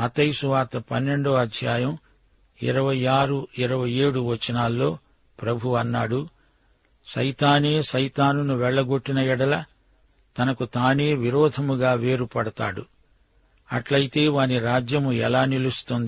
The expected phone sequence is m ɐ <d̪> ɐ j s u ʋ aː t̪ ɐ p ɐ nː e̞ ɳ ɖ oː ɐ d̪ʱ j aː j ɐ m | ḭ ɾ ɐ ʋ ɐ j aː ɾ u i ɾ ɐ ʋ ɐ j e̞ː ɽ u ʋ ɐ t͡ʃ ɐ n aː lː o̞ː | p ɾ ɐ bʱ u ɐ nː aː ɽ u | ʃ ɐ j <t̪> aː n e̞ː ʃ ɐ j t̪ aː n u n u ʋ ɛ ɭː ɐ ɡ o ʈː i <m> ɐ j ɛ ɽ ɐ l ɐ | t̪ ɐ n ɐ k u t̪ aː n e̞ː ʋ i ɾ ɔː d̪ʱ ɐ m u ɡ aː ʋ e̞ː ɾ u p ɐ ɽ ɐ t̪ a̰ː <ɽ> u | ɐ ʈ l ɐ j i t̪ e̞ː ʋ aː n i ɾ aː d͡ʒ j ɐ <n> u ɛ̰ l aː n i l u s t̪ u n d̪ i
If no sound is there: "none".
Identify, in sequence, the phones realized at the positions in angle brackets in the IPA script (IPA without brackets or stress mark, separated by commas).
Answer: t̪, t̪, n, ɽ, m